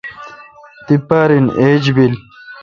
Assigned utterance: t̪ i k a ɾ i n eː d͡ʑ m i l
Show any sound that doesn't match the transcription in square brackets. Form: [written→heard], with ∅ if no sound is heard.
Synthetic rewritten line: t̪ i [k→p] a ɾ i n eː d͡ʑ [m→b] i l